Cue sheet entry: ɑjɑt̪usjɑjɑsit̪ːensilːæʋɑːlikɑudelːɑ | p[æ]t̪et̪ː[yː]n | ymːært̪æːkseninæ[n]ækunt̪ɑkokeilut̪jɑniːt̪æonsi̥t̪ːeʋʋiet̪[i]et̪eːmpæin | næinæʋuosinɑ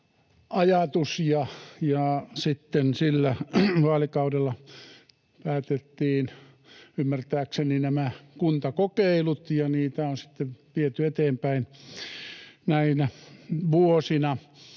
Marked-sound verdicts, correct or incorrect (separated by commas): incorrect, incorrect, incorrect, incorrect